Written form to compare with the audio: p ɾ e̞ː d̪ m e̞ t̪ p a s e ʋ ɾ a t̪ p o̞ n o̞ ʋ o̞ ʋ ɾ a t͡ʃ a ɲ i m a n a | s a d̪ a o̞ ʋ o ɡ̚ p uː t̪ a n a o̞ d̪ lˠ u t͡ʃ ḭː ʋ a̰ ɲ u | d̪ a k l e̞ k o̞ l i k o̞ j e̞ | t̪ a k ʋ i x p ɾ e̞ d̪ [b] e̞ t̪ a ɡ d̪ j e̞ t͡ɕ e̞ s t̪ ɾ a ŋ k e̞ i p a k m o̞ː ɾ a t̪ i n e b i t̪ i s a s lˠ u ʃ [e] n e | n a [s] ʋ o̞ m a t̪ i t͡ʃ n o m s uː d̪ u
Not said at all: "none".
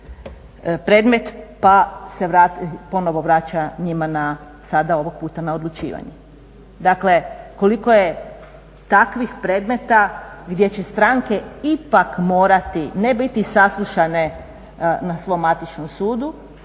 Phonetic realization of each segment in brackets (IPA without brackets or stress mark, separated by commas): m, a, s